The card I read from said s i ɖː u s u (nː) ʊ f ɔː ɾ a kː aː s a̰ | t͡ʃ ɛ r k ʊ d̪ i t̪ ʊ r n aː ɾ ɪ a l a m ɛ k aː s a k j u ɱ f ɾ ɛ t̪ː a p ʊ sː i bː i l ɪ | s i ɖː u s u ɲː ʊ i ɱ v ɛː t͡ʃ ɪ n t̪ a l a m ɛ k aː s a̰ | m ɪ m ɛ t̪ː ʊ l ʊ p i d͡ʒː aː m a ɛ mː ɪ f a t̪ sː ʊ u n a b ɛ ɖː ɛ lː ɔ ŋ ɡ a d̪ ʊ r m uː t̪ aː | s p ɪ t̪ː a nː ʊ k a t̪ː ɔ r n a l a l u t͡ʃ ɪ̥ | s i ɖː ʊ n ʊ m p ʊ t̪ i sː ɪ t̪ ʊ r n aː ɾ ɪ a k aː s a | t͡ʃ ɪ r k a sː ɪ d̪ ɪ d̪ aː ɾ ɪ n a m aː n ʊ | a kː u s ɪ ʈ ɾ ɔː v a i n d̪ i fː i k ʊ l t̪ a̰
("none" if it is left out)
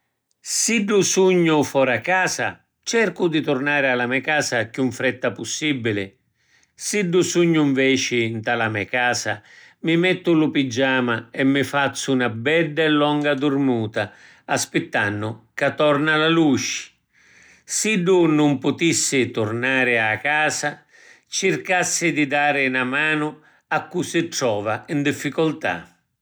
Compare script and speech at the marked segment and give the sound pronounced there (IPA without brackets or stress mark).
ɲː